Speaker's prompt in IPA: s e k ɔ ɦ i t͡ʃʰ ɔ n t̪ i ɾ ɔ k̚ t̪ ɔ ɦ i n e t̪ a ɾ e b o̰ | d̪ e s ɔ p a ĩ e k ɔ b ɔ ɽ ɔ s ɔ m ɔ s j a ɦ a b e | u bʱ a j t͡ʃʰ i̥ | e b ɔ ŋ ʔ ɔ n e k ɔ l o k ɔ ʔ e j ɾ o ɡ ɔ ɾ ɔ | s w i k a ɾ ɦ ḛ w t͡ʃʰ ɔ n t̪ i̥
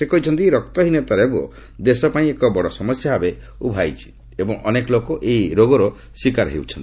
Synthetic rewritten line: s e k ɔ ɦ i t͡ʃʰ ɔ n t̪ i ɾ ɔ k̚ t̪ ɔ ɦ i n e t̪ a ɾ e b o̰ | d̪ e s ɔ p a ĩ e k ɔ b ɔ ɽ ɔ s ɔ m ɔ s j a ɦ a b e | u bʱ a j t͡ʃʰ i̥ | e b ɔ ŋ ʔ ɔ n e k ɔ l o k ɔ ʔ e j ɾ o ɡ ɔ ɾ ɔ | s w i k a ɾ ɦ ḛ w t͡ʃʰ ɔ n t̪ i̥

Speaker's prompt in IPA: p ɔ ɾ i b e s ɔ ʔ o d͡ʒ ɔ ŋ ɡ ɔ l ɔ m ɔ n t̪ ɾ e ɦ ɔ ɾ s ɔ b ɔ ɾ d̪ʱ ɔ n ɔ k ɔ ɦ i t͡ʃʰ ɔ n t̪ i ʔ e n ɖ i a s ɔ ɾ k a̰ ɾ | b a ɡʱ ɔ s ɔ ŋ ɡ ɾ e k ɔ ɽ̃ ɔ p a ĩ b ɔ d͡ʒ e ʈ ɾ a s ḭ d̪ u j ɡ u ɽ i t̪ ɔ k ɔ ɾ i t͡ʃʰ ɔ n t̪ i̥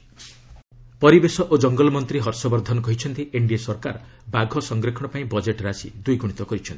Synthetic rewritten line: p ɔ ɾ i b e s ɔ ʔ o d͡ʒ ɔ ŋ ɡ ɔ l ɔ m ɔ n t̪ ɾ i ɦ ɔ ɾ s ɔ b ɔ ɾ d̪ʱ ɔ n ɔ k ɔ ɦ i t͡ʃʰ ɔ n t̪ i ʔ e ɳ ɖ i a s ɔ ɾ k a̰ ɾ | b a ɡʱ ɔ s ɔ ŋ ɡ ɾ e kʰ ɔ ɽ̃ ɔ p a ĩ b ɔ d͡ʒ e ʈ ɾ a s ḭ d̪ u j ɡ u ɽ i t̪ ɔ k ɔ ɾ i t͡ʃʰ ɔ n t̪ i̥

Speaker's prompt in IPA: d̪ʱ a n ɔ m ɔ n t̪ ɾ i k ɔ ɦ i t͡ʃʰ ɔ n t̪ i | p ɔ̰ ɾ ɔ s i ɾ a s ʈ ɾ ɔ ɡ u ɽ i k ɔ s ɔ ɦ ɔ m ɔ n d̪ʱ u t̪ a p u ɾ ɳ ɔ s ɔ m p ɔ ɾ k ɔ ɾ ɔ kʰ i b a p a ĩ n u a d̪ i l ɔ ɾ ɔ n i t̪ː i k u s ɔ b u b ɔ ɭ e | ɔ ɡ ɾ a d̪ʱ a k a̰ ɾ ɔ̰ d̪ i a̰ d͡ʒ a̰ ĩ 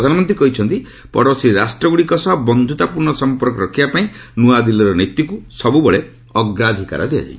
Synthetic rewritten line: d̪ʱ a n ɔ m ɔ n t̪ ɾ i k ɔ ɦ i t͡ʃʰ ɔ n t̪ i | p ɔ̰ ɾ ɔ s i ɾ a s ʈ ɾ ɔ ɡ u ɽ i k ɔ s ɔ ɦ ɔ b ɔ n d̪ʱ u t̪ a p u ɾ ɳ ɔ s ɔ m p ɔ ɾ k ɔ ɾ ɔ kʰ i b a p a ĩ n u a d̪ i l ɔ ɾ ɔ n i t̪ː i k u s ɔ b u b ɔ ɭ e | ɔ ɡ ɾ a d̪ʱ i k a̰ ɾ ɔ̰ d̪ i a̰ d͡ʒ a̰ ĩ

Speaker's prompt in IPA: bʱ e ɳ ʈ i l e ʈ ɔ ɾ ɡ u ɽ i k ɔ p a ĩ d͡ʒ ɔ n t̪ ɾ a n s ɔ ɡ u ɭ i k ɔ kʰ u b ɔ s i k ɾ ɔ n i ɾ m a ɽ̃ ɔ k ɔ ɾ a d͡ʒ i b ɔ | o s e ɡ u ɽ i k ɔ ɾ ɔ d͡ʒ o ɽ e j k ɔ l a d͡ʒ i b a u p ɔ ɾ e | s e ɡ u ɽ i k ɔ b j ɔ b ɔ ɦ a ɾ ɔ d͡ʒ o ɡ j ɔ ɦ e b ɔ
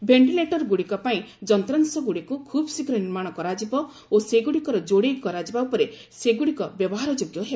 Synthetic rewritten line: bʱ e ɳ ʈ i l e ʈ ɔ ɾ ɡ u ɽ i k ɔ p a ĩ d͡ʒ ɔ n t̪ ɾ a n s ɔ ɡ u ɽ i k u kʰ u b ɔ s i k ɾ ɔ n i ɾ m a ɽ̃ ɔ k ɔ ɾ a d͡ʒ i b ɔ | o s e ɡ u ɽ i k ɔ ɾ ɔ d͡ʒ o ɽ e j k ɔ ɾ a d͡ʒ i b a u p ɔ ɾ e | s e ɡ u ɽ i k ɔ b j ɔ b ɔ ɦ a ɾ ɔ d͡ʒ o ɡ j ɔ ɦ e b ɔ

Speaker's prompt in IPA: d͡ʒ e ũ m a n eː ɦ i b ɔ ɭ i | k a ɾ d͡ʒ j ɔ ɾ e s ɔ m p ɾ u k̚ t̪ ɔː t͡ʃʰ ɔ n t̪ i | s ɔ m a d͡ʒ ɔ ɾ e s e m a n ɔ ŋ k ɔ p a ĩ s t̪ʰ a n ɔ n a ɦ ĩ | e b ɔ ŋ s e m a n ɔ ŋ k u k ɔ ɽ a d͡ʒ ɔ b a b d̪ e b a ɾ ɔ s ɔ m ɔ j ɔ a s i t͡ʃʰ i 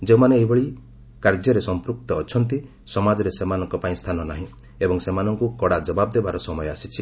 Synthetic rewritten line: d͡ʒ e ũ m a n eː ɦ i b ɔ ɭ i | k a ɾ d͡ʒ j ɔ ɾ e s ɔ m p ɾ u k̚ t̪ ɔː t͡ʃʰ ɔ n t̪ i | s ɔ m a d͡ʒ ɔ ɾ e s e m a n ɔ ŋ k ɔ p a ĩ s t̪ʰ a n ɔ n a ɦ ĩ | e b ɔ ŋ s e m a n ɔ ŋ k u k ɔ ɽ a d͡ʒ ɔ b a b d̪ e b a ɾ ɔ s ɔ m ɔ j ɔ a s i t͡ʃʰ i

